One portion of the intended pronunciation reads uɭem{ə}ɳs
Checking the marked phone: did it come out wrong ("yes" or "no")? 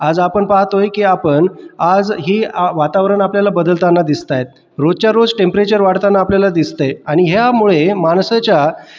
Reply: yes